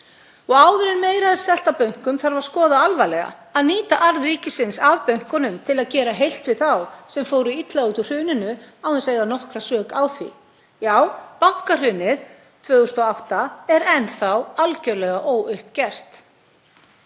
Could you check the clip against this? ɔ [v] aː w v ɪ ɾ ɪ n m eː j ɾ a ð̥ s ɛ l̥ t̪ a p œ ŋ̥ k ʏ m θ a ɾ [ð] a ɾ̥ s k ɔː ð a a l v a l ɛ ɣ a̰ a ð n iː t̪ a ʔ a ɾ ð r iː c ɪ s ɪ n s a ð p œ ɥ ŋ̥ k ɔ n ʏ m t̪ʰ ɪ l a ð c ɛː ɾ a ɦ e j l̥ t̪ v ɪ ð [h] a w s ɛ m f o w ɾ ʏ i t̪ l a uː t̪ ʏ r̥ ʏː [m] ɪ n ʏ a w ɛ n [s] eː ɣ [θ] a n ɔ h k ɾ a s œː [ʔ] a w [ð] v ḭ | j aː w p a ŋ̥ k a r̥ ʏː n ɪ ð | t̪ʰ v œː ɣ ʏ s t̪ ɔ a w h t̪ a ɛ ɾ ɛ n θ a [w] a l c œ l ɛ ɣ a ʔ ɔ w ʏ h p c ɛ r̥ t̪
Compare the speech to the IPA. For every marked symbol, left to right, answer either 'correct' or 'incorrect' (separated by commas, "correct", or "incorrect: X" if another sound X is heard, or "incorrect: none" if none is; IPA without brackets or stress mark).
incorrect: ɣ, incorrect: v, incorrect: θ, incorrect: n, correct, incorrect: ð, incorrect: k, incorrect: θ, correct